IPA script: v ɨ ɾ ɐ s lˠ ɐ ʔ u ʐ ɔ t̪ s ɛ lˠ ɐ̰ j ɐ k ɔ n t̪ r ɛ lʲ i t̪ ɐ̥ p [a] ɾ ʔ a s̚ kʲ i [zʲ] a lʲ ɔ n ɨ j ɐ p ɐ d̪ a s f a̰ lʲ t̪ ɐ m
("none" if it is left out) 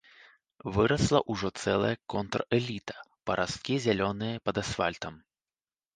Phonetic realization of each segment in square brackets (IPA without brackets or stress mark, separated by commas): ɐ, zʲ